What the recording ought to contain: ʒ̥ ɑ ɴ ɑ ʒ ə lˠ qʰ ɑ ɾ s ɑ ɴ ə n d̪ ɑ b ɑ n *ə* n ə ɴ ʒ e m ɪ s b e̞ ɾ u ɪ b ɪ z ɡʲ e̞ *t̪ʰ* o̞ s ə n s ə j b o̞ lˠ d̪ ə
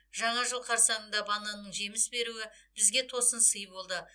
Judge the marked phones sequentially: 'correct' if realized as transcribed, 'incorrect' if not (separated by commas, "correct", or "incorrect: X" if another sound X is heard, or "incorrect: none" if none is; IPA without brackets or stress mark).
incorrect: ɑ, correct